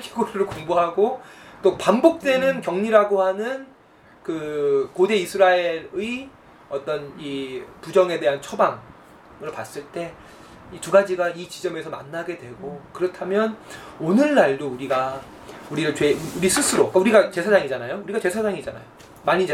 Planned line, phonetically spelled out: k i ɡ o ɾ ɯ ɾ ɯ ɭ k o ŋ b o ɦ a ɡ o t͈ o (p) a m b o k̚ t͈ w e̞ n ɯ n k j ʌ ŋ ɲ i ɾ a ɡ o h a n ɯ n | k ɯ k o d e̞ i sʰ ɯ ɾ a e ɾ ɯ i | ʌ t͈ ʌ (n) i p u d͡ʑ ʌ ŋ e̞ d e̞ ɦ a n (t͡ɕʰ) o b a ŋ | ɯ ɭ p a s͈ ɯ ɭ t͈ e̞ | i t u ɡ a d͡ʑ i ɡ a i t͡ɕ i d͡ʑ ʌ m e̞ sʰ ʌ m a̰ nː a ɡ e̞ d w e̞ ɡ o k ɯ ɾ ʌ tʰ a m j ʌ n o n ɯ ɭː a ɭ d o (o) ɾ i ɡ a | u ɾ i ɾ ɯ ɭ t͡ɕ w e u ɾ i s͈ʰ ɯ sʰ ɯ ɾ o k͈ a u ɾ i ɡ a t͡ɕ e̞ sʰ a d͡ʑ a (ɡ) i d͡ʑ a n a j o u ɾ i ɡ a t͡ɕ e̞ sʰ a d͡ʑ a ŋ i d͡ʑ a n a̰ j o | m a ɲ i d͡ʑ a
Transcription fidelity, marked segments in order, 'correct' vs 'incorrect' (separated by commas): correct, correct, correct, incorrect, incorrect